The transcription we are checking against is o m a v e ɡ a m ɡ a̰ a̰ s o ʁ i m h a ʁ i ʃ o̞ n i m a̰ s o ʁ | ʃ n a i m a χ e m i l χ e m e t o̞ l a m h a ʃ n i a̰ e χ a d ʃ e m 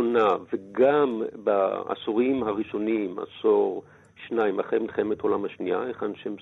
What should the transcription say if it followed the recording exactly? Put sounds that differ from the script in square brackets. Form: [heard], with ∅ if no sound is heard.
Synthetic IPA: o [n] a v e ɡ a m [b] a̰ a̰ s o ʁ i m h a ʁ i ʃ o̞ n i m a̰ s o ʁ | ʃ n a i m a χ e m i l χ e m e t o̞ l a m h a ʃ n i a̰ e χ a [n] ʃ e m